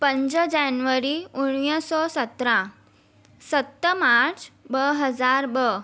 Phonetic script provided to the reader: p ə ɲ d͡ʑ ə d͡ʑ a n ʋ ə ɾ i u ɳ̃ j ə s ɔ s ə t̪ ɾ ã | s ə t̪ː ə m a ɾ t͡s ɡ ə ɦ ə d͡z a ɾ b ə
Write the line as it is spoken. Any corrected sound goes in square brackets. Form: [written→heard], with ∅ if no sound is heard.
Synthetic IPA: p ə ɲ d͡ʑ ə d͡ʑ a n ʋ ə ɾ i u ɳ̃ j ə s ɔ s ə t̪ ɾ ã | s ə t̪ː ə m a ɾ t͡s [ɡ→b] ə ɦ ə d͡z a ɾ b ə